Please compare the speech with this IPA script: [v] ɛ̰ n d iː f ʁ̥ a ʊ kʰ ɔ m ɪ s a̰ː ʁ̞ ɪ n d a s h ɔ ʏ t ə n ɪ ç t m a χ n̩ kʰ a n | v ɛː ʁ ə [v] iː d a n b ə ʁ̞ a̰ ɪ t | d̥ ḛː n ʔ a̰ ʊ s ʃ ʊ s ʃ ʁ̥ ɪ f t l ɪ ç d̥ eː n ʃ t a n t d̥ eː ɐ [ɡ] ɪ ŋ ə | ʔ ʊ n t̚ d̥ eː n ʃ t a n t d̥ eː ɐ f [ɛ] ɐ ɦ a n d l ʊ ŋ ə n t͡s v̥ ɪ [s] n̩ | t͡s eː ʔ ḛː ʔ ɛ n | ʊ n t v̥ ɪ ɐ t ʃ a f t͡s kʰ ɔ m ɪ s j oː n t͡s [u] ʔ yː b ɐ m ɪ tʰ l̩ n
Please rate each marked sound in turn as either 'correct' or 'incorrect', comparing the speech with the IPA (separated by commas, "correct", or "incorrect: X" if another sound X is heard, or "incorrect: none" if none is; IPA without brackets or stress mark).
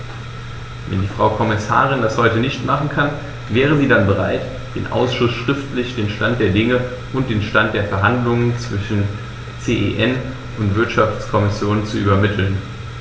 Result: correct, incorrect: z, incorrect: d, correct, incorrect: ʃ, correct